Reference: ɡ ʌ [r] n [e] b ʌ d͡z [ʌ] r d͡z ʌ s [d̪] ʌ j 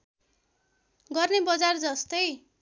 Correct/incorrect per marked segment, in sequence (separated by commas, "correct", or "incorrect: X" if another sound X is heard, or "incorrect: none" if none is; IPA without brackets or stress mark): correct, correct, incorrect: a, incorrect: t̪